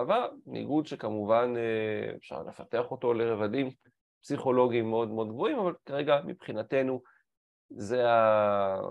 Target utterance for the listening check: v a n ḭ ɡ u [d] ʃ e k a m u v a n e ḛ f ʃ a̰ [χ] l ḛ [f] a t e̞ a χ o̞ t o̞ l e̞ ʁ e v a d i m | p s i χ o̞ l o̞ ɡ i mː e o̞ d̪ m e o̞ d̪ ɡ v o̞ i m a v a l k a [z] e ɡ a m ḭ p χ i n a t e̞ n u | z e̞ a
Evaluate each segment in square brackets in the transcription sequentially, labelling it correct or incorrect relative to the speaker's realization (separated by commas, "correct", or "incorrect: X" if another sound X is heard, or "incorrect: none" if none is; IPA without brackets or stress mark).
correct, incorrect: ʁ, correct, incorrect: ʁ